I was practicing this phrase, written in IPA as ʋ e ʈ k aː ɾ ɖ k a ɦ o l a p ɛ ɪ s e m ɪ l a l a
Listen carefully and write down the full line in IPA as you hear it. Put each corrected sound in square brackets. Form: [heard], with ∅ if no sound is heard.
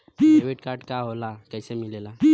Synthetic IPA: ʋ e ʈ k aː ɾ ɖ k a ɦ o l a [k] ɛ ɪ s e m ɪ l [e] l a